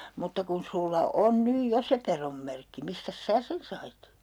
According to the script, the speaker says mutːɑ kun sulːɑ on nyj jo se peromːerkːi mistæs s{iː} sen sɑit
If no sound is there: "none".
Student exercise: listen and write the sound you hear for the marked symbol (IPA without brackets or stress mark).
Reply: æː